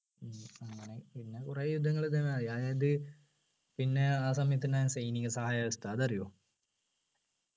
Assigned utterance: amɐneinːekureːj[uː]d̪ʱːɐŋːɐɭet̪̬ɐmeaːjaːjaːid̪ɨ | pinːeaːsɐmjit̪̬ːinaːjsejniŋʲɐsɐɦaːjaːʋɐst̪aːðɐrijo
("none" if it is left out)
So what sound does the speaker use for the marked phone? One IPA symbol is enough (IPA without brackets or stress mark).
u